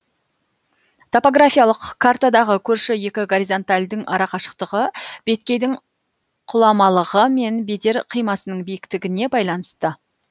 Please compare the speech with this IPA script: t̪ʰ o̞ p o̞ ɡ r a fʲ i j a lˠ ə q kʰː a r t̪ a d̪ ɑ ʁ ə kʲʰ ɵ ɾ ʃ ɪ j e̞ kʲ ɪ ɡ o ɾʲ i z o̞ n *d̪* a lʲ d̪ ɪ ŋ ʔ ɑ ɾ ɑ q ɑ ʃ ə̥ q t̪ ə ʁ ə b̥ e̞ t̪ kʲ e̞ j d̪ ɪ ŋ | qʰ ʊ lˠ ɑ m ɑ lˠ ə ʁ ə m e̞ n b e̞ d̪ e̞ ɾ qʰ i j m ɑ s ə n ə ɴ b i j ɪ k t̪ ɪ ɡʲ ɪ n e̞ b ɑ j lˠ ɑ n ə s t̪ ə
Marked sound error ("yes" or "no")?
yes